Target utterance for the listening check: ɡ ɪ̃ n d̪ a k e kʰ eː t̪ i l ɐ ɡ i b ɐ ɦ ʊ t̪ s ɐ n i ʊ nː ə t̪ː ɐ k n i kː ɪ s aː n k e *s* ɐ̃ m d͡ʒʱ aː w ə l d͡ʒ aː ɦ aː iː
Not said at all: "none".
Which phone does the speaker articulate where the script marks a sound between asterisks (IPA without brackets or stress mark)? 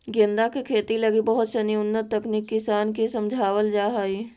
s